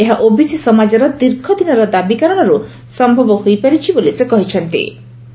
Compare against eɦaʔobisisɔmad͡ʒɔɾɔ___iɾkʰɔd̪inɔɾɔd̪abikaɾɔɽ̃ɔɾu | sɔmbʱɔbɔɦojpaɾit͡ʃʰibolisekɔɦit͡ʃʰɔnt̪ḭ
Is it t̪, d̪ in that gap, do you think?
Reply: d̪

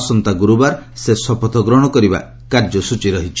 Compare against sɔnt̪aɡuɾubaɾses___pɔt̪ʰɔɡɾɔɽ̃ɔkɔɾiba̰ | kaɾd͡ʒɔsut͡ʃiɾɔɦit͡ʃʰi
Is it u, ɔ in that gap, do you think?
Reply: ɔ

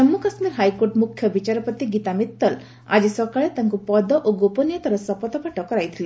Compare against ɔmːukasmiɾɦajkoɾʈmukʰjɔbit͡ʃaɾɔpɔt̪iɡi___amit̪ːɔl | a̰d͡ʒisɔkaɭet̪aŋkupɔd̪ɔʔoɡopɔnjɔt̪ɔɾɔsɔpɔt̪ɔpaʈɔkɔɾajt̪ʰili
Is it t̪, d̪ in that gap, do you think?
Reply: t̪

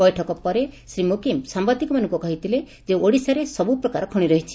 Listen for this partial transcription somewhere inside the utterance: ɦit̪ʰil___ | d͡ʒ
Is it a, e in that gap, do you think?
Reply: e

